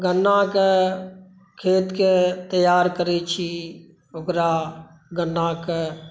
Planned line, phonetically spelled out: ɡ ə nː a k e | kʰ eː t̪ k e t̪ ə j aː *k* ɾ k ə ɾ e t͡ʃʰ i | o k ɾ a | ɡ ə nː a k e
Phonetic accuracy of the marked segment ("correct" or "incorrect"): incorrect